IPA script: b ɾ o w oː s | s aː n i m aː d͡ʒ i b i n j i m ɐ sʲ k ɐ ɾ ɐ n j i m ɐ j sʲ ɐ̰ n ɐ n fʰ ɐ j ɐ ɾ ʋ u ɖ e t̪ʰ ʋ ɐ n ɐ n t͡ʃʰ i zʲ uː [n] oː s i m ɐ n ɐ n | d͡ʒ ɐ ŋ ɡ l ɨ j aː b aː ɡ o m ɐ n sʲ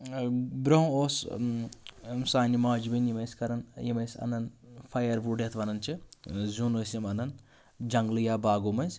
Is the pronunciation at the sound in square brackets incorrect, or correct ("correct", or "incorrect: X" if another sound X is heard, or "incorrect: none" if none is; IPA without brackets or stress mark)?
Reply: correct